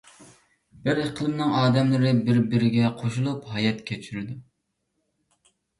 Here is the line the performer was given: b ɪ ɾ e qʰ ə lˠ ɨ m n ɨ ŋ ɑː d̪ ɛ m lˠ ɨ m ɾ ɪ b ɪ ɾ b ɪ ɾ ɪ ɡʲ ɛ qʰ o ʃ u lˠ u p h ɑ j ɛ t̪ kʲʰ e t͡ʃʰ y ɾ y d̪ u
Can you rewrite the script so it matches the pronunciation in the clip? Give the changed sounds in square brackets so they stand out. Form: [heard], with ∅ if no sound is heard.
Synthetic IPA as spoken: b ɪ ɾ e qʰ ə lˠ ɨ m n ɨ ŋ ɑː d̪ ɛ m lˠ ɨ [∅] ɾ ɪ b ɪ ɾ b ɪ ɾ ɪ ɡʲ ɛ qʰ o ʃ u lˠ u p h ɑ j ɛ t̪ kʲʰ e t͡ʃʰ y ɾ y d̪ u

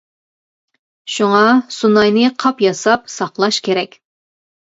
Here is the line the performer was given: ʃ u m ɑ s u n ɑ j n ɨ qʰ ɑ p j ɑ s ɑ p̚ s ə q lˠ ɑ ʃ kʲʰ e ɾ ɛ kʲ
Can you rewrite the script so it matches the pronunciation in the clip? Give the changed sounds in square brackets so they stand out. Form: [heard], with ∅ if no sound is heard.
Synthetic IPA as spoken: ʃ u [ŋ] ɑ s u n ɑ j n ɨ qʰ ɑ p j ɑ s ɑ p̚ s [ɑ] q lˠ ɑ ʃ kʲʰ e ɾ ɛ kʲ

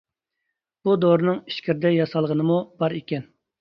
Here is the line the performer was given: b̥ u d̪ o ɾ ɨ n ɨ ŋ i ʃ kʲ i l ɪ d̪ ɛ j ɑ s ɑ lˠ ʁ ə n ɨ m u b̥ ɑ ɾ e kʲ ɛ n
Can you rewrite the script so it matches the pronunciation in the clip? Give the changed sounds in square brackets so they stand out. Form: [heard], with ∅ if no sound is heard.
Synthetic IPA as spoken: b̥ u d̪ o ɾ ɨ n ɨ ŋ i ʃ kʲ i [ɾ] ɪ d̪ ɛ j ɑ s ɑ lˠ ʁ ə n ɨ m u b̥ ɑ ɾ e kʲ ɛ n

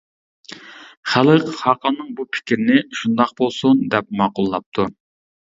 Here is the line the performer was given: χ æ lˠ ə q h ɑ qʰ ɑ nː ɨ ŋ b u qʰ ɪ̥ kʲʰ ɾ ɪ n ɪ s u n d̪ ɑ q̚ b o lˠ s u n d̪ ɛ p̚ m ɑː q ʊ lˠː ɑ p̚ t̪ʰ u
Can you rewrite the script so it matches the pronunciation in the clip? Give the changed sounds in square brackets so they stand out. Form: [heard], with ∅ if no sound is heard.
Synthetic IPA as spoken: χ æ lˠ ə q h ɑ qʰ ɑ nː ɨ ŋ b u [pʰ] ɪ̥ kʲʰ ɾ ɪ n ɪ [ʃ] u n d̪ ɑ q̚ b o lˠ s u n d̪ ɛ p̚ m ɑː q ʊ lˠː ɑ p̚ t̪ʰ u

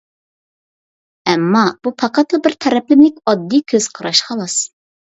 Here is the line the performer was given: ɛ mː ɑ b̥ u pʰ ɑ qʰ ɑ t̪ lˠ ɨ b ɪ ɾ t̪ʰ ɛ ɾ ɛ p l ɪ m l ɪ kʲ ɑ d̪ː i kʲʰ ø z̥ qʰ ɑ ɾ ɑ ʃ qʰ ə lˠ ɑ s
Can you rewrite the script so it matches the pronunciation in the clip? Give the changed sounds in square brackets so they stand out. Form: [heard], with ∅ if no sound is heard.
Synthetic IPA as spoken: ɛ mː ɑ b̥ u pʰ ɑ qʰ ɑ t̪ lˠ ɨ b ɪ ɾ t̪ʰ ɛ ɾ ɛ p l ɪ m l ɪ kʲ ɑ d̪ː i kʲʰ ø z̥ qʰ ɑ ɾ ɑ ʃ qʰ [ɑ] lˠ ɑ s

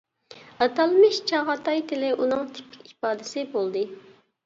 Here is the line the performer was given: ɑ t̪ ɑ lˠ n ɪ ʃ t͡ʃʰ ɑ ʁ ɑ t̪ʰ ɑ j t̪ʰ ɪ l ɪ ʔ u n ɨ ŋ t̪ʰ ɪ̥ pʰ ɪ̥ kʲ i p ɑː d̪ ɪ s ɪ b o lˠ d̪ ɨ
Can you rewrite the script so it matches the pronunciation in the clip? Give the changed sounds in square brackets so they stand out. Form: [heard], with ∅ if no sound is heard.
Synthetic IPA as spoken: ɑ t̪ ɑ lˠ [m] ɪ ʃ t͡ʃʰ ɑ ʁ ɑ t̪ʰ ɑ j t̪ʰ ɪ l ɪ ʔ u n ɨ ŋ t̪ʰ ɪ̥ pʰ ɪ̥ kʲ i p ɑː d̪ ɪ s ɪ b o lˠ d̪ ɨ

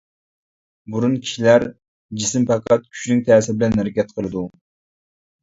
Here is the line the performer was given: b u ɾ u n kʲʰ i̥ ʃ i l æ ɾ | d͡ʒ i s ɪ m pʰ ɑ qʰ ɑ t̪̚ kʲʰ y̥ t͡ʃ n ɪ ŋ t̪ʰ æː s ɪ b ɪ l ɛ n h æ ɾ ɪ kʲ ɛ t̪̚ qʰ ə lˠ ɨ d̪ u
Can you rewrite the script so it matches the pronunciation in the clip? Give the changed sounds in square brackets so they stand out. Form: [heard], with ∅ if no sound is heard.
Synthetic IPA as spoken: b u ɾ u n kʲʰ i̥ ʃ i l æ ɾ | d͡ʒ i s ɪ m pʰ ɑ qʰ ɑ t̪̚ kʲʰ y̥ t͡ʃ n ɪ ŋ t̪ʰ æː s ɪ b ɪ l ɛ n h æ ɾ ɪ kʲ ɛ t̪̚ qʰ ə lˠ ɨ d̪ u

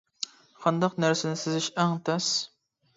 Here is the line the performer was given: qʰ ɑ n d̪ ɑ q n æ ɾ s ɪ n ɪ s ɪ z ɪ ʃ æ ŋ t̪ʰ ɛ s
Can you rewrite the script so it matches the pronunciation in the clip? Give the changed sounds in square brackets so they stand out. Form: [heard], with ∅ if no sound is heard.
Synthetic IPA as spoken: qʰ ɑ n d̪ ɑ q n æ ɾ s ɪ n ɪ s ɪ z ɪ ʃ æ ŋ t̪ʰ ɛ s

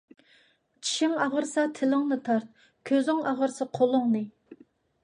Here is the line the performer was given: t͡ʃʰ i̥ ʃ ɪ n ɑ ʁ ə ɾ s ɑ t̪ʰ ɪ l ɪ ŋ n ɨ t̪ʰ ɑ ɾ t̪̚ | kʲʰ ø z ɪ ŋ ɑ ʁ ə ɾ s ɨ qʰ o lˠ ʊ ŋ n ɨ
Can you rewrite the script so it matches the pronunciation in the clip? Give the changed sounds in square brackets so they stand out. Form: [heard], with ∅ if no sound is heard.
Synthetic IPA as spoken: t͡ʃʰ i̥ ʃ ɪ [ŋ] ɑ ʁ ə ɾ s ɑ t̪ʰ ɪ l ɪ ŋ n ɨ t̪ʰ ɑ ɾ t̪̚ | kʲʰ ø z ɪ ŋ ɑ ʁ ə ɾ s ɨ qʰ o lˠ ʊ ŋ n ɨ

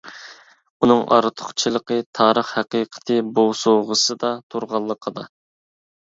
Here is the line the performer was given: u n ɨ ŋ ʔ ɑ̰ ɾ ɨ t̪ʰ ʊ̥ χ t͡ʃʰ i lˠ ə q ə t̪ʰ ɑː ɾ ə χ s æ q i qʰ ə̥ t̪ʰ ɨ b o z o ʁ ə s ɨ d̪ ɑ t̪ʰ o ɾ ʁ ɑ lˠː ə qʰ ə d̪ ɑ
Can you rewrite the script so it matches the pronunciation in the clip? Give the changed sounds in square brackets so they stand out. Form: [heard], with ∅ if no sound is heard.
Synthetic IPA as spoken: u n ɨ ŋ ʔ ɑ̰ ɾ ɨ t̪ʰ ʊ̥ χ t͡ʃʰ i lˠ ə q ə t̪ʰ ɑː ɾ ə χ [h] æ q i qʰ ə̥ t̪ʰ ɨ b o [s] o ʁ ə s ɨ d̪ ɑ t̪ʰ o ɾ ʁ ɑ lˠː ə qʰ ə d̪ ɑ

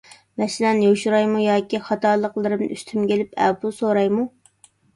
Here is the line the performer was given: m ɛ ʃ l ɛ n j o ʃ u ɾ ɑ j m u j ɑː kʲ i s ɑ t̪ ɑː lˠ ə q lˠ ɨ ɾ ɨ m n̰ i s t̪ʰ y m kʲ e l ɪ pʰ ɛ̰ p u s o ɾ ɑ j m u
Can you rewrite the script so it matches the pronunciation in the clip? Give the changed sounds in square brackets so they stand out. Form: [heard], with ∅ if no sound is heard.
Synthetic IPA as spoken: m ɛ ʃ l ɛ n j o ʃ u ɾ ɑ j m u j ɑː kʲ i [χ] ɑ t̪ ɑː lˠ ə q lˠ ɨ ɾ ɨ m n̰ [y] s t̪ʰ y m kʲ e l ɪ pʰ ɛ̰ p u s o ɾ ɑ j m u

